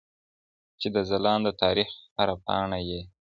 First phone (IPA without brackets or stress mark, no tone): t͡ʃ